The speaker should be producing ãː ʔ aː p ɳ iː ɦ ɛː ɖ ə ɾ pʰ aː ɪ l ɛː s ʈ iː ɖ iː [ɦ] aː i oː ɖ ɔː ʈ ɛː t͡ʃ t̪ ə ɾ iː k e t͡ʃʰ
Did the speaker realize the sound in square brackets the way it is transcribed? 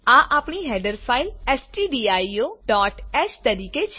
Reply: no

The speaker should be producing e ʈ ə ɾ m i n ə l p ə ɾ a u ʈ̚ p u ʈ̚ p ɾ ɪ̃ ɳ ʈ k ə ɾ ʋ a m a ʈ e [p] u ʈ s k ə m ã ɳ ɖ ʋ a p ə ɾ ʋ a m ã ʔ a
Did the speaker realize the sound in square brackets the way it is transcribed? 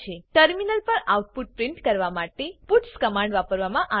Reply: yes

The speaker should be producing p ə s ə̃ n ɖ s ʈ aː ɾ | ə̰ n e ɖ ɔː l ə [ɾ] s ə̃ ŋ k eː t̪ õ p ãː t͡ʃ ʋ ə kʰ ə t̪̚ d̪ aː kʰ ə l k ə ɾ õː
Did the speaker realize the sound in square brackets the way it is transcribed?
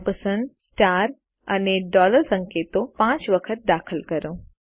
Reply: yes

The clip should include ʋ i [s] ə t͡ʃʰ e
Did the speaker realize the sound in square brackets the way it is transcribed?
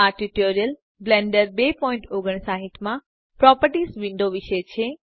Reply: no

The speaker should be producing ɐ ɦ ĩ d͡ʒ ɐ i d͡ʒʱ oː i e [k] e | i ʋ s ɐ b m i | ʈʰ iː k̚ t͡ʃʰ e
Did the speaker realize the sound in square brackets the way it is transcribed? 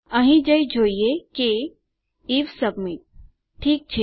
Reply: yes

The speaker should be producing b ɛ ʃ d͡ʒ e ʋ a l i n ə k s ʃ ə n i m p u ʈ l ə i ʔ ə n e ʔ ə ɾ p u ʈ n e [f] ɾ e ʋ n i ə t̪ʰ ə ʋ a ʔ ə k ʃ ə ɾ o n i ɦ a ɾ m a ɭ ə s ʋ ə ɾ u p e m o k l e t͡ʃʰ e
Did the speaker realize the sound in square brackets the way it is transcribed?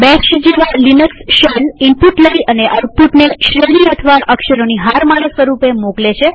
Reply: no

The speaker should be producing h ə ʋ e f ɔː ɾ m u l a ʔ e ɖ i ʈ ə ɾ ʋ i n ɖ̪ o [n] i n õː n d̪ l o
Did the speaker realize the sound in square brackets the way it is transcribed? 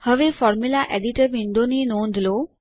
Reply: yes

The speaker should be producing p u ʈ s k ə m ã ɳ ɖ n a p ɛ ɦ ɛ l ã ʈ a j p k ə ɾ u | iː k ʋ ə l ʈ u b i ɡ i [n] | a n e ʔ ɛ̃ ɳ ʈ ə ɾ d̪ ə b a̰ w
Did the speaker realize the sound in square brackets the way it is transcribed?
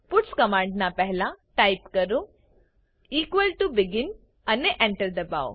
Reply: yes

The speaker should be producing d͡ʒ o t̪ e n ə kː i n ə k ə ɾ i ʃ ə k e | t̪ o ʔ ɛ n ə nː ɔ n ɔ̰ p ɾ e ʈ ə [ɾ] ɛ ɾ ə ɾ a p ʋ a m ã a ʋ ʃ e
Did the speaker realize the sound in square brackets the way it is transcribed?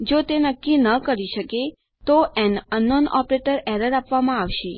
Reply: yes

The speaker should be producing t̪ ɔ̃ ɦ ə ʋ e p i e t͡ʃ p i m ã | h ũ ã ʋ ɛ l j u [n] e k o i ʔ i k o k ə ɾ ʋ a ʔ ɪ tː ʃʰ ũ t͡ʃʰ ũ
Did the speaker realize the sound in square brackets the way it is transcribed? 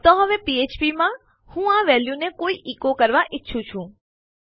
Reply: yes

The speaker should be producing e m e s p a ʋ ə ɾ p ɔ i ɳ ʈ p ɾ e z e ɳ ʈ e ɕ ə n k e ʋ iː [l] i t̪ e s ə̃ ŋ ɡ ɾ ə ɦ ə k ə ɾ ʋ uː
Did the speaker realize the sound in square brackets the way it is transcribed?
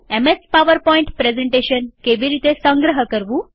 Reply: no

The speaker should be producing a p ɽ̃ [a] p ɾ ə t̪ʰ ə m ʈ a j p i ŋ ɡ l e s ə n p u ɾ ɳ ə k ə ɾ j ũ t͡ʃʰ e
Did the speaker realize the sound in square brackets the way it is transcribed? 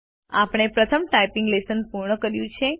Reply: no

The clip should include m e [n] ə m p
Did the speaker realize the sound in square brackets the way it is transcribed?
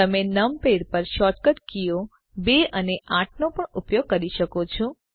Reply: yes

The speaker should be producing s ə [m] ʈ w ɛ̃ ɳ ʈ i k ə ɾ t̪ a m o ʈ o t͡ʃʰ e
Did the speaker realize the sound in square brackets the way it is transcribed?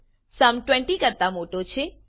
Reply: yes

